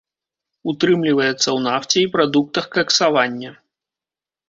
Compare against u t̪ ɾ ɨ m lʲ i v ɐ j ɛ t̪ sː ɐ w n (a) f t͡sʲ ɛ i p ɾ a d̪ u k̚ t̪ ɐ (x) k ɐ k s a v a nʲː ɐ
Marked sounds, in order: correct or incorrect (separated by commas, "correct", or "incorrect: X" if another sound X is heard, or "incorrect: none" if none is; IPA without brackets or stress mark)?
correct, correct